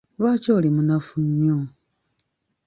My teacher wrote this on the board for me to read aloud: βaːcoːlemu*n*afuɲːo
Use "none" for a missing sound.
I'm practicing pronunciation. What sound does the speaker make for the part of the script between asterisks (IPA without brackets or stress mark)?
n